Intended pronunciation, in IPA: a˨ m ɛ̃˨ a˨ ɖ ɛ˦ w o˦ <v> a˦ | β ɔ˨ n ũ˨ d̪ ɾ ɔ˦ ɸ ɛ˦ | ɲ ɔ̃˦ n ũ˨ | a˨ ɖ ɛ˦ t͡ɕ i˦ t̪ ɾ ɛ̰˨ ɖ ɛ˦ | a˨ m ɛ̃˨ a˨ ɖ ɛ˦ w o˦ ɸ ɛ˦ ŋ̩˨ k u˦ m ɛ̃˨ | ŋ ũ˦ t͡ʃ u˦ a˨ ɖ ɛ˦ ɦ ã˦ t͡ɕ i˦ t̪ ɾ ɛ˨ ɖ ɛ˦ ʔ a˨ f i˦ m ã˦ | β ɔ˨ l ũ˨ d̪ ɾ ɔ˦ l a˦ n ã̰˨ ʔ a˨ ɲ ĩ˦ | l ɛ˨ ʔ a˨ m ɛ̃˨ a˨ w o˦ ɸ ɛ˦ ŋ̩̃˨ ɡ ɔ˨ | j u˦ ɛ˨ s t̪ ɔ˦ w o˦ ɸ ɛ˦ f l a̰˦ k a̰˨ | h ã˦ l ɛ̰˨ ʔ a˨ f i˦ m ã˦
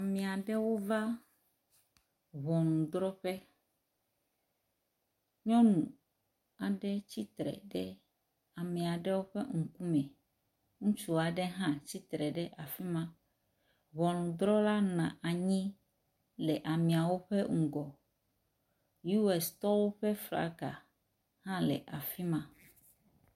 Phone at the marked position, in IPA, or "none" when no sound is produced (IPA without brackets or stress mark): v